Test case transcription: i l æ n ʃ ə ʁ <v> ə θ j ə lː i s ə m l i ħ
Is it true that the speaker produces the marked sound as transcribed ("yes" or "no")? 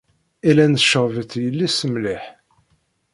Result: yes